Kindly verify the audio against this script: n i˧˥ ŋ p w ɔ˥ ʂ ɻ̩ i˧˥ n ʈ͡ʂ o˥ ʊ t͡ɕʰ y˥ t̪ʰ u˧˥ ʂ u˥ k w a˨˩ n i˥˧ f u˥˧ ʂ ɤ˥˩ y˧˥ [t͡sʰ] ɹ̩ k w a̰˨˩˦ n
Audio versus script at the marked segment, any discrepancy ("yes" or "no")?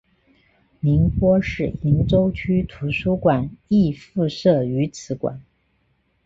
no